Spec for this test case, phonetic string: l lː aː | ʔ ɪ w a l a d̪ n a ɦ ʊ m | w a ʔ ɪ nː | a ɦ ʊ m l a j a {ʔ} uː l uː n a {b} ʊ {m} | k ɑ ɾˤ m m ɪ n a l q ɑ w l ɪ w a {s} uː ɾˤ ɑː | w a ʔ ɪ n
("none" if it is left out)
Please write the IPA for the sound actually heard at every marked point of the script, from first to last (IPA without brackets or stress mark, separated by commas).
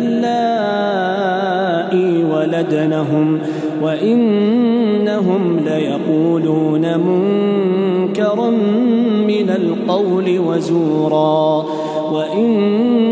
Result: q, m, ŋ, z